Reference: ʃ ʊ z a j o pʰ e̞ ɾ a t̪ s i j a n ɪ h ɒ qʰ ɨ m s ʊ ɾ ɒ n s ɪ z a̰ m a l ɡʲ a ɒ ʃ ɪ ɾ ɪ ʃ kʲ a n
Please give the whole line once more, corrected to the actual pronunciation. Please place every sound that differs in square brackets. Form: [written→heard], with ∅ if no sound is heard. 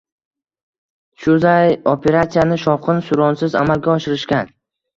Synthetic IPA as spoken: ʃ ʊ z a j o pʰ e̞ ɾ a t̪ s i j a n ɪ [h→ʃ] ɒ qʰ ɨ [m→n] s ʊ ɾ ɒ n s ɪ z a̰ m a l ɡʲ a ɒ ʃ ɪ ɾ ɪ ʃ kʲ a n